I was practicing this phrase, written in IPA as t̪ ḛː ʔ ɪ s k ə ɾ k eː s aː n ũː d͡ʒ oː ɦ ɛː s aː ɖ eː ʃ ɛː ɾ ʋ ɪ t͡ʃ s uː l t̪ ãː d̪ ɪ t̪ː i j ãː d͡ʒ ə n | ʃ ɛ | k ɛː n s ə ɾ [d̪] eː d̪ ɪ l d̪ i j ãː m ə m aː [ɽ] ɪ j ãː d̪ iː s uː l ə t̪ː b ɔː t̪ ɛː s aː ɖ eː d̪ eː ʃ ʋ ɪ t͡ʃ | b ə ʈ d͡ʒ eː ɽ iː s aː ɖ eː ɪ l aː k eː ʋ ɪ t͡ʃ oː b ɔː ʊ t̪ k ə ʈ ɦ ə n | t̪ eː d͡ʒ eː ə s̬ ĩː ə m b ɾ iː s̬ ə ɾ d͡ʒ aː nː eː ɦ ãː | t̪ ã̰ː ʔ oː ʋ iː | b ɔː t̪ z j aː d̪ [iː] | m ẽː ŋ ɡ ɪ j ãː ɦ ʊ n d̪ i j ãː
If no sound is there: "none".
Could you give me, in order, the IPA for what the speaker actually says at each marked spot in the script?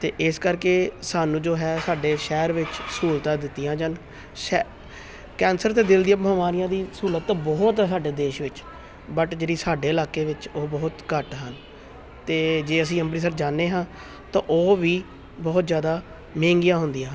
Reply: t̪, ɾ, aː

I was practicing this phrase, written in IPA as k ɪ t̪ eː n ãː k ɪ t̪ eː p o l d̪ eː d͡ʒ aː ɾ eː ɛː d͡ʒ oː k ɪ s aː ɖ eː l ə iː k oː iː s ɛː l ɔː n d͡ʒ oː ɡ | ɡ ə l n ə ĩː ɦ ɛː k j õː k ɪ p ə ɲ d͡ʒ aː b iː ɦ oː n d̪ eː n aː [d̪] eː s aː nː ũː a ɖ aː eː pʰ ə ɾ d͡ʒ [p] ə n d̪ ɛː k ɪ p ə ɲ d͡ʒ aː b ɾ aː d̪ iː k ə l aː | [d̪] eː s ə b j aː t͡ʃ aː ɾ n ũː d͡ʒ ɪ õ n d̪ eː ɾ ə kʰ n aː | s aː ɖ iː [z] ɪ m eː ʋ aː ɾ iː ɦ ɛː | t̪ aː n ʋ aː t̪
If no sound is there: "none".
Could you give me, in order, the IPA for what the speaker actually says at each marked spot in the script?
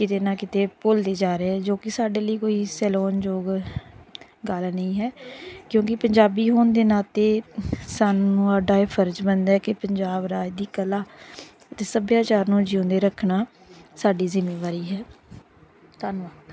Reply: t̪, b, t̪, z

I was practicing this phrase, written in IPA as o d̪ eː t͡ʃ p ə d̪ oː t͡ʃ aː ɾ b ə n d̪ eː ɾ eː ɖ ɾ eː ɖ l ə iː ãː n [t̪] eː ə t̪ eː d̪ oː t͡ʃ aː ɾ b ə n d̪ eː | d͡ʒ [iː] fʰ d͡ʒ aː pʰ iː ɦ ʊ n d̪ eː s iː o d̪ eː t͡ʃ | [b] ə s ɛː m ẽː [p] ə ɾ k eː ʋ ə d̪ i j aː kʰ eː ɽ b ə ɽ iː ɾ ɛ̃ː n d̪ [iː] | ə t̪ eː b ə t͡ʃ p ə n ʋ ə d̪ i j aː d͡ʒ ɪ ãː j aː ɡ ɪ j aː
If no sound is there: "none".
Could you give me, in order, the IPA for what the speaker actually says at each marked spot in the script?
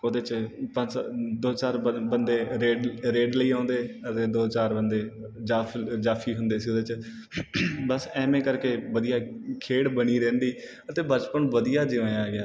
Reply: d̪, aː, b, k, iː

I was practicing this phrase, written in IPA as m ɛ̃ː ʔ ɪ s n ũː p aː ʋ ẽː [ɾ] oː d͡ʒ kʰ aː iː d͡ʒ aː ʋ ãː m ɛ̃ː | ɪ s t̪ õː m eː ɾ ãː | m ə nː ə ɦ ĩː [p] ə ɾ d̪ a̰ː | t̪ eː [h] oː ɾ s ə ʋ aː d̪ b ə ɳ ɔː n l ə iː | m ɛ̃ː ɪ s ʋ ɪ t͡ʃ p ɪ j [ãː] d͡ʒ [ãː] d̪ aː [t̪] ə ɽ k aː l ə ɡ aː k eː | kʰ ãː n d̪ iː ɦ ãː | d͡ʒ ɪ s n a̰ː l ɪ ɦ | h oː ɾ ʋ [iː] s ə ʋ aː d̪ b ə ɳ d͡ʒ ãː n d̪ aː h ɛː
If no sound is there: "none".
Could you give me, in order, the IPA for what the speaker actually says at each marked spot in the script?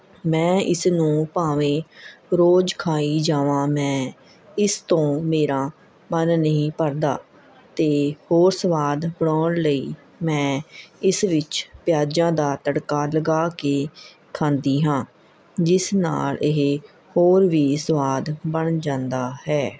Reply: ɾ, p, h, aː, ãː, t̪, iː

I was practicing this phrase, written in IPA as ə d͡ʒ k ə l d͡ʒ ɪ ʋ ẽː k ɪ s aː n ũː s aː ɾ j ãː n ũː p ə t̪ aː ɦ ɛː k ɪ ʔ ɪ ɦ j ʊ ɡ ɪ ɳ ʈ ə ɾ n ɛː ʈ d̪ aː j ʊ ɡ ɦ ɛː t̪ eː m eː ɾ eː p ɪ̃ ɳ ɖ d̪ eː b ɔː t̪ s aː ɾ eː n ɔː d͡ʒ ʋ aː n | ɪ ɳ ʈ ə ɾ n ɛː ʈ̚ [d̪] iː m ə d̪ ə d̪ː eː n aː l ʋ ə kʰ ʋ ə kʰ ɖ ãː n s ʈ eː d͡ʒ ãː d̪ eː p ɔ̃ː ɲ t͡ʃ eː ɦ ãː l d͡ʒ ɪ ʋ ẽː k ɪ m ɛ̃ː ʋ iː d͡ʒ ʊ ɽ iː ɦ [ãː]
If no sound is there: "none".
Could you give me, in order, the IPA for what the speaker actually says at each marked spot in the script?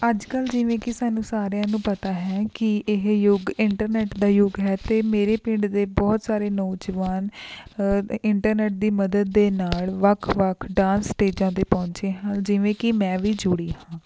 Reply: d̪, ãː

